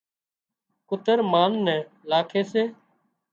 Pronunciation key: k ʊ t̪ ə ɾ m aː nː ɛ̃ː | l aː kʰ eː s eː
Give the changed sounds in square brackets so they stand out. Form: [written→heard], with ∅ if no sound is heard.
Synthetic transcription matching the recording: k ʊ t̪ ə ɾ m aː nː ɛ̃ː | l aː kʰ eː s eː